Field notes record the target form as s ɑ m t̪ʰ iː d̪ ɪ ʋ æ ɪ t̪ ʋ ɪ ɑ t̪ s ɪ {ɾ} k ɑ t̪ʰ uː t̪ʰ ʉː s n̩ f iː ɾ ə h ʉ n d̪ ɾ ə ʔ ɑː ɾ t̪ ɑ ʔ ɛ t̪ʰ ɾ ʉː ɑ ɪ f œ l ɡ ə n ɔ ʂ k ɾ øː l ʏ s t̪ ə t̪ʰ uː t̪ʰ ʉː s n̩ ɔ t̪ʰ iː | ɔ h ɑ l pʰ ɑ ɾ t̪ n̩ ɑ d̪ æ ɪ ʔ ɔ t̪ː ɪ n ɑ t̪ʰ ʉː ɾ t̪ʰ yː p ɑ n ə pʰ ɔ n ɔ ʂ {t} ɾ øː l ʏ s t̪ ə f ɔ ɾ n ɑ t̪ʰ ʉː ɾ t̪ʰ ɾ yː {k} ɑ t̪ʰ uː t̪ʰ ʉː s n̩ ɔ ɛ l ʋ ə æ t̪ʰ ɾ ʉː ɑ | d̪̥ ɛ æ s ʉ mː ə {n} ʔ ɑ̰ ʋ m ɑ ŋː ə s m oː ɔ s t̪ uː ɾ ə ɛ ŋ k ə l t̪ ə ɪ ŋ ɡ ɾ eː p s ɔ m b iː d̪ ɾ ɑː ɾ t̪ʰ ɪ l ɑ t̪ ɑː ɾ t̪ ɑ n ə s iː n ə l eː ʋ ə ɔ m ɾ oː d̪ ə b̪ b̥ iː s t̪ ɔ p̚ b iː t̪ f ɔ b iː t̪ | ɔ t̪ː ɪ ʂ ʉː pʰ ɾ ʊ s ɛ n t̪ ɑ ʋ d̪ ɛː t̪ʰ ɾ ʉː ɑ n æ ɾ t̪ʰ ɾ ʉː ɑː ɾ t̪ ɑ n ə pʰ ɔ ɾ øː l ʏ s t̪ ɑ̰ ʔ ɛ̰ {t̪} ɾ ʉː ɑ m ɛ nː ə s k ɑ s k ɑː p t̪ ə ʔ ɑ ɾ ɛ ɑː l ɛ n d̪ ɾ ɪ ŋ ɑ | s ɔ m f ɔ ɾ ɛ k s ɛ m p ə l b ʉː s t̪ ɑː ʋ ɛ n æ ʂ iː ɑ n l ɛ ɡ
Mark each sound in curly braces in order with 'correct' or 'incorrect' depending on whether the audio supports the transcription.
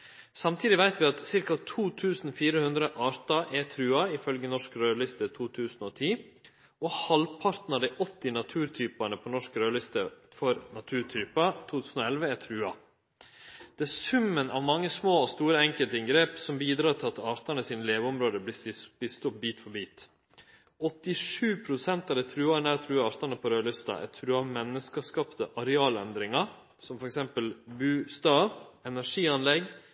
correct, incorrect, incorrect, correct, incorrect

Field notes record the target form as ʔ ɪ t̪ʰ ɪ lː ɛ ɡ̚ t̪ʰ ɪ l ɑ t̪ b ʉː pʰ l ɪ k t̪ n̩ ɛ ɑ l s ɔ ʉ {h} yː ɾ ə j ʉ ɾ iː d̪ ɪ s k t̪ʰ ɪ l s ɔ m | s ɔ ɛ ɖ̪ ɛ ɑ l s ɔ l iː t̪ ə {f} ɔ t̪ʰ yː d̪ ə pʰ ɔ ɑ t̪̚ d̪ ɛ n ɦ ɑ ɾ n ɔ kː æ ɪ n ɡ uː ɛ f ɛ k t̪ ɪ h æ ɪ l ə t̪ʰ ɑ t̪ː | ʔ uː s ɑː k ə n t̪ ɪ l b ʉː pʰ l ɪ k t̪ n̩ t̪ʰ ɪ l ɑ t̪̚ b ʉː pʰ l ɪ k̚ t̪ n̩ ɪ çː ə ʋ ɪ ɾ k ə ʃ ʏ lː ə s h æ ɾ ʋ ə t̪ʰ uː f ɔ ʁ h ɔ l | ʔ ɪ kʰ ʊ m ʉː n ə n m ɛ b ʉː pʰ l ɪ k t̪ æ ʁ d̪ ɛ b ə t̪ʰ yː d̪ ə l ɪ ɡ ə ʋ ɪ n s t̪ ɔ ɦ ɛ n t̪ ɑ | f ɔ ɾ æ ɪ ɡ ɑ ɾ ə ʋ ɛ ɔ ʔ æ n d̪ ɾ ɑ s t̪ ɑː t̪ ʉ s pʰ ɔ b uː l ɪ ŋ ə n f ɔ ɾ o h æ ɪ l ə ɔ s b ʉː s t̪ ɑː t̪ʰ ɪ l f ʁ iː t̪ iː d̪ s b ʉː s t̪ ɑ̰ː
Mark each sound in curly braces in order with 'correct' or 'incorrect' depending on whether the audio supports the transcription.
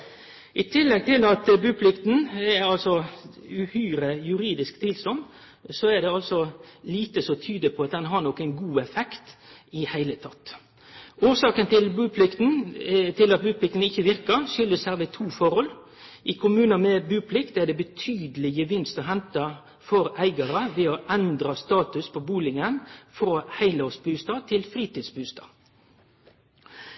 correct, incorrect

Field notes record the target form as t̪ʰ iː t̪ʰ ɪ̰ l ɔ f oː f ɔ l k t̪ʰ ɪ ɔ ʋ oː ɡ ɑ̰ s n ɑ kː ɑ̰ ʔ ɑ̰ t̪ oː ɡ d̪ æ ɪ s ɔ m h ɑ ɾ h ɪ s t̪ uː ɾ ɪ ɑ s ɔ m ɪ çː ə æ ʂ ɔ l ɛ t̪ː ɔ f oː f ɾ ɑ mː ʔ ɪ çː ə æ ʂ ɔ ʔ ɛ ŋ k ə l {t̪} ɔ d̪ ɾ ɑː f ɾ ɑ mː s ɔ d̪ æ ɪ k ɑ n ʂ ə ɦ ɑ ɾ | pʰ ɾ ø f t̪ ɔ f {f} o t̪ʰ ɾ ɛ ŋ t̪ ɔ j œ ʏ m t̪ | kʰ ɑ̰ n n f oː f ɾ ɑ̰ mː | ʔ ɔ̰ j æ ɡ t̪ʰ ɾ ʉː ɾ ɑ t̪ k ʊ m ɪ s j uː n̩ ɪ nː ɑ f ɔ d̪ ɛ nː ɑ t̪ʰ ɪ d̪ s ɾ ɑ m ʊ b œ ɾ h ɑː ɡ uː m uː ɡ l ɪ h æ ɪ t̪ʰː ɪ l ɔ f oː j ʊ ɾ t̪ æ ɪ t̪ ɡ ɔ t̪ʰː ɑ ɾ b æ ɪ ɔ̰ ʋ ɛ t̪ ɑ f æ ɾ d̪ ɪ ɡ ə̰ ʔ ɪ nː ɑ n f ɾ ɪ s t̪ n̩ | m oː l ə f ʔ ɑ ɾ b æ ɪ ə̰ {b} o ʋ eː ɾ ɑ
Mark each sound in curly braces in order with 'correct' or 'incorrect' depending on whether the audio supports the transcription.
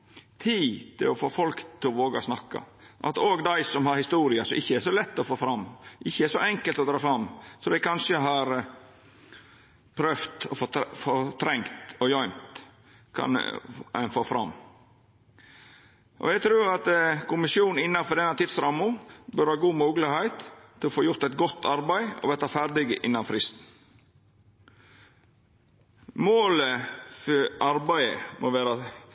correct, correct, incorrect

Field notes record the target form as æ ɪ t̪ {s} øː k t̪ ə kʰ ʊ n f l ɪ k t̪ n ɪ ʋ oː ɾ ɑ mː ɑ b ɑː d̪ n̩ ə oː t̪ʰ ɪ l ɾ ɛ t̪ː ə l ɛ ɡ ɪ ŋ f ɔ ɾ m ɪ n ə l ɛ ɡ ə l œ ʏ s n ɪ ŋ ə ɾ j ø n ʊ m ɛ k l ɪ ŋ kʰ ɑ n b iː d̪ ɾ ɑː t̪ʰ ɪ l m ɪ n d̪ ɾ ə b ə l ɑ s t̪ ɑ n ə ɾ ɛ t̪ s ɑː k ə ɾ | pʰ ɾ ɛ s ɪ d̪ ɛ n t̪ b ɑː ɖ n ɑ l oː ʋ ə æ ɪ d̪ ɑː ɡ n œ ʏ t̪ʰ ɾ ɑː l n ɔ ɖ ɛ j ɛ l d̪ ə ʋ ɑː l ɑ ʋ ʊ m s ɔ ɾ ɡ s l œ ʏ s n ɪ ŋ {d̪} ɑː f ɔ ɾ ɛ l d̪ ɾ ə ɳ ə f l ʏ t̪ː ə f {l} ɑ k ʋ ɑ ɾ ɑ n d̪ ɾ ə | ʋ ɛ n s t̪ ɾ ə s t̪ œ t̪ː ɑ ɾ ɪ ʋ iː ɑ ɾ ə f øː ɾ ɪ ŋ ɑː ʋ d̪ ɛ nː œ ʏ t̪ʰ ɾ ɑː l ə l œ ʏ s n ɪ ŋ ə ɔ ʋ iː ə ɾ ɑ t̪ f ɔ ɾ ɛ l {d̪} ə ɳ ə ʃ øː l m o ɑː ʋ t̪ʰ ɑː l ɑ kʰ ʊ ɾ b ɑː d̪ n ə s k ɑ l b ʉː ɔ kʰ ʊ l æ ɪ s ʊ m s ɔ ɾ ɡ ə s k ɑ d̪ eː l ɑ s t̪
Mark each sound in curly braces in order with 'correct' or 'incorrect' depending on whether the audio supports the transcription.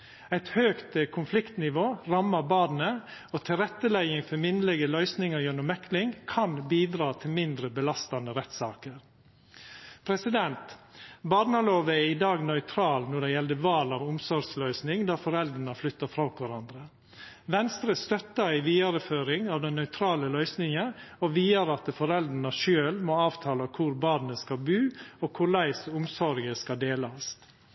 incorrect, correct, incorrect, correct

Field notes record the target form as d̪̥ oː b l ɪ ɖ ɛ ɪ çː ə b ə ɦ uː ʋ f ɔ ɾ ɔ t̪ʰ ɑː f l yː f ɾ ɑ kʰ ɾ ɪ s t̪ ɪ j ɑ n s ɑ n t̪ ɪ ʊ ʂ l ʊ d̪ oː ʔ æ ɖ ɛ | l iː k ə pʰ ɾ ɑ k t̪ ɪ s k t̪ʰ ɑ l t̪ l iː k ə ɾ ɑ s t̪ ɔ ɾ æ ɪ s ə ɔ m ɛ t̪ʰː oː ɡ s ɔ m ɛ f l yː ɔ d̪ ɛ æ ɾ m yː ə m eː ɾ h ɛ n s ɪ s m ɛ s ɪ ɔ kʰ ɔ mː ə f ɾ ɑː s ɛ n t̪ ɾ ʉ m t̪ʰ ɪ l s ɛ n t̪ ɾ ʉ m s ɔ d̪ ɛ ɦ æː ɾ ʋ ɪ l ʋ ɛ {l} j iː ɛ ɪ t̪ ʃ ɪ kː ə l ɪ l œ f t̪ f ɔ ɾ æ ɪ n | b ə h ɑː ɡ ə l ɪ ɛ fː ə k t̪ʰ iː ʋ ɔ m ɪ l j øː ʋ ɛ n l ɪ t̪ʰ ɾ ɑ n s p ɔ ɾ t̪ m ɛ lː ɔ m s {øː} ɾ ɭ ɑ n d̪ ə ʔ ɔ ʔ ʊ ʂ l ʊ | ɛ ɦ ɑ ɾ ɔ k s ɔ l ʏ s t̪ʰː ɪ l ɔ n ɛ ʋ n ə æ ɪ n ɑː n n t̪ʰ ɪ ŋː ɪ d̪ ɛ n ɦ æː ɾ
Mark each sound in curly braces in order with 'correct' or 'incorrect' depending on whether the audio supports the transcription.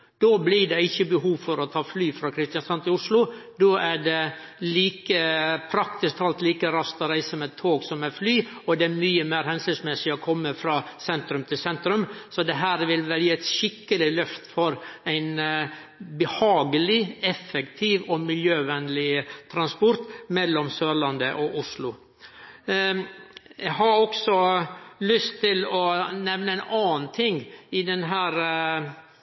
correct, correct

